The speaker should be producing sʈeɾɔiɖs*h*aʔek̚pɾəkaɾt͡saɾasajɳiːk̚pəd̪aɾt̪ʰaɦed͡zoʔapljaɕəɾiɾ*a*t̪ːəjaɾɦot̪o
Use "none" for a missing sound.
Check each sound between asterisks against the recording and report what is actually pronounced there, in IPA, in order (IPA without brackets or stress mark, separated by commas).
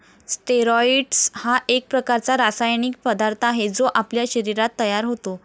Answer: h, a